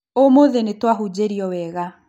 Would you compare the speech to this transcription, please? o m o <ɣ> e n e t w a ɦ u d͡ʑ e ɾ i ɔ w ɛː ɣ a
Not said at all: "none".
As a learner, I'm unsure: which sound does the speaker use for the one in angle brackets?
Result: ð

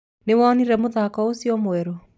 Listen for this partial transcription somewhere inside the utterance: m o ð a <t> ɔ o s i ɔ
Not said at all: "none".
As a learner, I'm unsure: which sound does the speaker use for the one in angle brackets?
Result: k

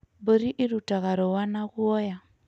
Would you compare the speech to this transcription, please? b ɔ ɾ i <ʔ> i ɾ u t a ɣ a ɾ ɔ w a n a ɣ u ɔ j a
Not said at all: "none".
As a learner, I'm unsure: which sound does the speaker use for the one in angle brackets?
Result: ʔ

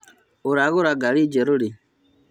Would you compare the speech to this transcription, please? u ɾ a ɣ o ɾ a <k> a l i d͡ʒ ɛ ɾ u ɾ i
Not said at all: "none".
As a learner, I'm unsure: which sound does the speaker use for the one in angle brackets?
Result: ɡ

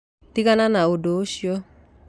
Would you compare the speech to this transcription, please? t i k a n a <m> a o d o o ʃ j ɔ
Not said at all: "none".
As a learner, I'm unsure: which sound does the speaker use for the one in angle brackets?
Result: n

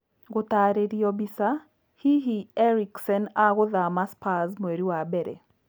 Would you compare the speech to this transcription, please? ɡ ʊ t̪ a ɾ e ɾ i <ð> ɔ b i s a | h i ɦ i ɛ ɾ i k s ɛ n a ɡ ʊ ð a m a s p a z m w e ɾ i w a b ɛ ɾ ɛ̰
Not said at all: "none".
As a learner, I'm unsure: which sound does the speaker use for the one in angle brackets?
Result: none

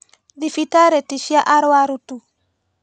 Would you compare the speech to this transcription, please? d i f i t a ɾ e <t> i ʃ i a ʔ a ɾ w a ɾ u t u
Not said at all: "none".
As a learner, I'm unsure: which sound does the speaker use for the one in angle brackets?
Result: t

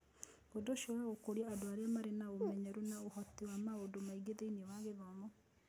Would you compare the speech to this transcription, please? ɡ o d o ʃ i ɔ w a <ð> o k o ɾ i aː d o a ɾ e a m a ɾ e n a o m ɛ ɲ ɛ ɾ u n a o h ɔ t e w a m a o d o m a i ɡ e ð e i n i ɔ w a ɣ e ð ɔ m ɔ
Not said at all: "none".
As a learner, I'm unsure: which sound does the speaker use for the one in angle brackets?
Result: ɣ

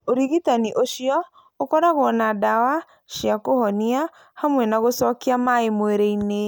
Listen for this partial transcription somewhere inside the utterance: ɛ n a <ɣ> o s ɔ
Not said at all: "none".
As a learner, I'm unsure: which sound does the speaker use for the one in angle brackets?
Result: ɣ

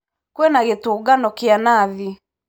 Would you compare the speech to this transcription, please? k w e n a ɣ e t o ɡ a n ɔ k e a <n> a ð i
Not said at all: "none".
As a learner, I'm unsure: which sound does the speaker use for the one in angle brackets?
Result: n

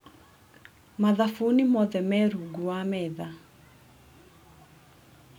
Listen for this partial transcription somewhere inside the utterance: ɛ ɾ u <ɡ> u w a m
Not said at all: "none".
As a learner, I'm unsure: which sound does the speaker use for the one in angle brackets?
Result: ɡ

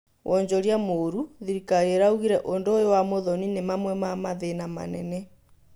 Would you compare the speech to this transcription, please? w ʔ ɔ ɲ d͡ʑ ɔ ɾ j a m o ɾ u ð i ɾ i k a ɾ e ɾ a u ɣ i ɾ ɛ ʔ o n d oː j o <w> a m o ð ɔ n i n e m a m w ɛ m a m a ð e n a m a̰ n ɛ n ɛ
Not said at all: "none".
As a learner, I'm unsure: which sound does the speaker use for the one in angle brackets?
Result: w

